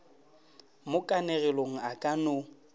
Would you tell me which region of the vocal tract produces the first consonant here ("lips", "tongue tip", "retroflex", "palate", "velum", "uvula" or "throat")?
lips